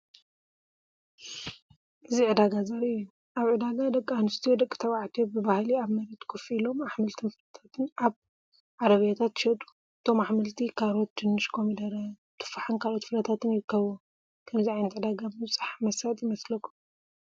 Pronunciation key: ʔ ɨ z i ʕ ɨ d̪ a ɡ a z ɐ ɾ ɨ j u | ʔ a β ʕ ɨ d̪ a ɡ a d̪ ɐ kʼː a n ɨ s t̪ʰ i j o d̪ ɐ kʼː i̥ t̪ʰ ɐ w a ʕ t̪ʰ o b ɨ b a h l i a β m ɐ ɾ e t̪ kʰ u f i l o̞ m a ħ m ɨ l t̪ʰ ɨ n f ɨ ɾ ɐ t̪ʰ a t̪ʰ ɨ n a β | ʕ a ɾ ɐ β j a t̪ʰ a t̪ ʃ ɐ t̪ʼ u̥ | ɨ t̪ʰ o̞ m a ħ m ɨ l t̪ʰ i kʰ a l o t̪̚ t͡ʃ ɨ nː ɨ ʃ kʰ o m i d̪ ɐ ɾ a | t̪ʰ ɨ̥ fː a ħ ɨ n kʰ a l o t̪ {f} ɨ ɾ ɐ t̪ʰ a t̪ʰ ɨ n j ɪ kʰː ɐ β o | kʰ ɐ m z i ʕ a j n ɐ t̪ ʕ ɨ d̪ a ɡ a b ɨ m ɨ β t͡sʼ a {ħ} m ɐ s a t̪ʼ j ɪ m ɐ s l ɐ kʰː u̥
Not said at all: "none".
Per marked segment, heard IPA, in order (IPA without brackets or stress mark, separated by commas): f, ħ